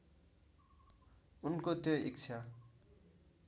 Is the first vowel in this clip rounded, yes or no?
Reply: yes